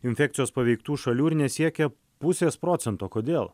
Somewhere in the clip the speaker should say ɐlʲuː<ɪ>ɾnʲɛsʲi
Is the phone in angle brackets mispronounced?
no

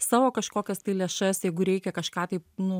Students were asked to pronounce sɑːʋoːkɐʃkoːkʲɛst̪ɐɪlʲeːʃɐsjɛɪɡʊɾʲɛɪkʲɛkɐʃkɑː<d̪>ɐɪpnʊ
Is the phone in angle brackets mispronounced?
yes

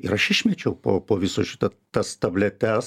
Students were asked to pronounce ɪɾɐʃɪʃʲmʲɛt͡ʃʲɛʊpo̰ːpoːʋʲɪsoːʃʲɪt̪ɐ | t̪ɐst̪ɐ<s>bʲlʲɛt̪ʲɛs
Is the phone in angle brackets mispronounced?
yes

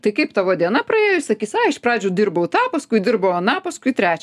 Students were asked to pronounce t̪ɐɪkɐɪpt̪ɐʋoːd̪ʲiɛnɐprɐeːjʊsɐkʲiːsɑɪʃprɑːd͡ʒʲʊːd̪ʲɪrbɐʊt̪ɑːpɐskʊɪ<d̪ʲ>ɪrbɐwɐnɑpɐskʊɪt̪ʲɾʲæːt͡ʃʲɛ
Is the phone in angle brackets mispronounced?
no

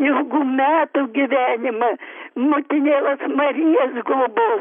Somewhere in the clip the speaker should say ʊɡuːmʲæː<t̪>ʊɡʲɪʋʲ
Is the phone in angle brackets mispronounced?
no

